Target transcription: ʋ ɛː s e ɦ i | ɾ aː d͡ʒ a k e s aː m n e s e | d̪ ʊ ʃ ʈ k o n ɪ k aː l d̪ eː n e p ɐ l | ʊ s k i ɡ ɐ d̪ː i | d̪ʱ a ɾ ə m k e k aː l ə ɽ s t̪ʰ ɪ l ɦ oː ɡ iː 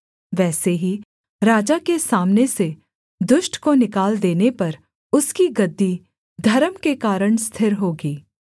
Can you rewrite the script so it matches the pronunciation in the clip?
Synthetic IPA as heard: ʋ ɛː s e ɦ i | ɾ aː d͡ʒ a k e s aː m n e s e | d̪ ʊ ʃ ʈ k o n ɪ k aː l d̪ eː n e p ɐ ɾ | ʊ s k i ɡ ɐ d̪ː i | d̪ʱ ɐ ɾ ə m k e k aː ɾ ə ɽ s t̪ʰ ɪ ɾ ɦ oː ɡ iː